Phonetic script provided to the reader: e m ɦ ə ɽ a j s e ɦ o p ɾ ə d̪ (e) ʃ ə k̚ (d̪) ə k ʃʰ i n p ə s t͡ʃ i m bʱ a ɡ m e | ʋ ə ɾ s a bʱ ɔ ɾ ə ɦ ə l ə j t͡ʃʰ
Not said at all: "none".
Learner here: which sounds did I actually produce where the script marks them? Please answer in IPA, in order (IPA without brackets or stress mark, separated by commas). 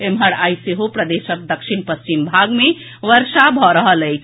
e, d̪